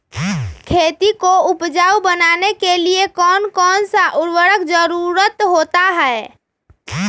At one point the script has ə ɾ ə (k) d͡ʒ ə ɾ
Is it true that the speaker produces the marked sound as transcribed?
yes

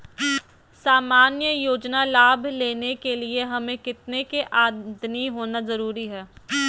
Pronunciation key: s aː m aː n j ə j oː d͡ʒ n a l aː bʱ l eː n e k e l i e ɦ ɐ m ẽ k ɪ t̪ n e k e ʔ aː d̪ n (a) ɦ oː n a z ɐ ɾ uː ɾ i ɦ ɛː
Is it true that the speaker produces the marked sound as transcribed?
no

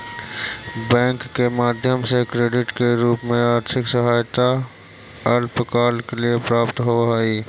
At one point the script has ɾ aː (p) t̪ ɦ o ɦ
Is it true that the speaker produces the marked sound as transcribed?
yes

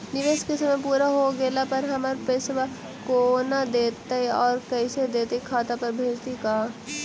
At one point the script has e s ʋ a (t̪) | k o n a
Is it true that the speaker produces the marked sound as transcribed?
no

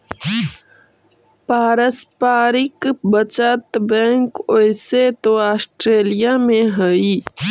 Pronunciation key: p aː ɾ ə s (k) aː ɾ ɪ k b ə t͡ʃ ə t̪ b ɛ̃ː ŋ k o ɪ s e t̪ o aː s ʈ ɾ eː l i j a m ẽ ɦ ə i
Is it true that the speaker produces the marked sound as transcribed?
no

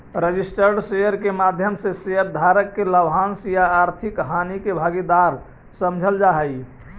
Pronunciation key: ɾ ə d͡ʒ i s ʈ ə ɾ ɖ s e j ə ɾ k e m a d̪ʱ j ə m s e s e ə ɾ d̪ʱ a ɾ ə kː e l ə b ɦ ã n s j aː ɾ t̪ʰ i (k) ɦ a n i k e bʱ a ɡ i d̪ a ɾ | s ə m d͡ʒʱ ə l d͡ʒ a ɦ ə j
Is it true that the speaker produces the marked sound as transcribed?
yes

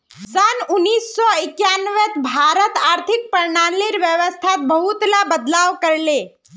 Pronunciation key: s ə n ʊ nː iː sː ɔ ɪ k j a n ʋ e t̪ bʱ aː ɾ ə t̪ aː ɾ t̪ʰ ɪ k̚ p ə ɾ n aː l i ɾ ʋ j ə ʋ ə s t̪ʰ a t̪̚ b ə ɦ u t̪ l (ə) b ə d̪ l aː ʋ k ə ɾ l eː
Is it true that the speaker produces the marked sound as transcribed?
no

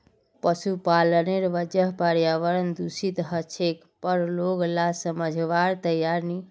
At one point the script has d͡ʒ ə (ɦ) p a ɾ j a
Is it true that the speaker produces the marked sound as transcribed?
yes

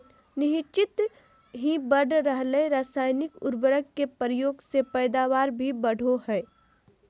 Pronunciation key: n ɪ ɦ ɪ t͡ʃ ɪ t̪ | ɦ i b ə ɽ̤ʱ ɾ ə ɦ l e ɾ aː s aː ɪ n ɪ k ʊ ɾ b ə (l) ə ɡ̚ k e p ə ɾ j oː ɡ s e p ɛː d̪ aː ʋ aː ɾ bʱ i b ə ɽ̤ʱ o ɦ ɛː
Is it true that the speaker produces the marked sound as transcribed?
no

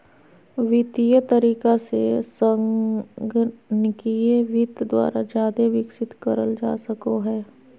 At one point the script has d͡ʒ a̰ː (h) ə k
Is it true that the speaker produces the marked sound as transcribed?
no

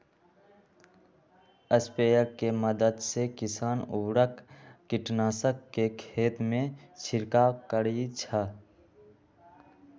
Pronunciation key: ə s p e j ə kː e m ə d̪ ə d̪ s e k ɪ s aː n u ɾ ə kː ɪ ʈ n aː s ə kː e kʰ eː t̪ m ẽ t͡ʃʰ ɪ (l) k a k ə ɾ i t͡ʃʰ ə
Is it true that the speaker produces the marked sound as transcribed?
no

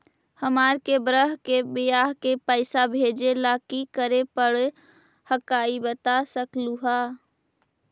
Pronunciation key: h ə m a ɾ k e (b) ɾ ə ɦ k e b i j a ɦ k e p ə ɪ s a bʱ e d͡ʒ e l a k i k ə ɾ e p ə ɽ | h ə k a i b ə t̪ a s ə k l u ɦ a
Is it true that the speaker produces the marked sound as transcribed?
yes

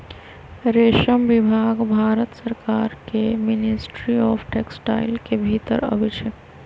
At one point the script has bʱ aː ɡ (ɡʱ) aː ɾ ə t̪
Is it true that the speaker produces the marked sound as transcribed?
no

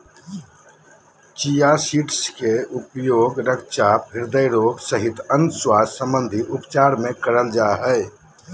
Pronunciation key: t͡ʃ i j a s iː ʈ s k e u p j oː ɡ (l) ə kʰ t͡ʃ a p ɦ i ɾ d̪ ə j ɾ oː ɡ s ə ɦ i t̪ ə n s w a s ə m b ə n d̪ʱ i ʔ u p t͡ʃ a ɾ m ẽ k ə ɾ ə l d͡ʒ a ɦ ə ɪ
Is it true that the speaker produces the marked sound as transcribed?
no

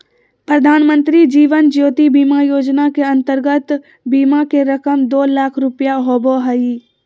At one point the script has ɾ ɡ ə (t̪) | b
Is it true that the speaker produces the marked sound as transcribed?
yes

